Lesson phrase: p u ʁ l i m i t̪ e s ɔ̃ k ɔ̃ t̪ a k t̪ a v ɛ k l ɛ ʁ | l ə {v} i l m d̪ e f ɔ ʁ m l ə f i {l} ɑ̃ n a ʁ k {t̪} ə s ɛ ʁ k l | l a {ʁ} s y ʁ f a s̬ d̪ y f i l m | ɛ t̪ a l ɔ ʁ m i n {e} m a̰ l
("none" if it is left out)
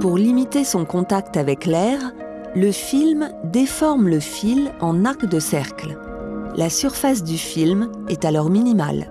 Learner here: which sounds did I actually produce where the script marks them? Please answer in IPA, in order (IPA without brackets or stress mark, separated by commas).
f, l, d̪, none, i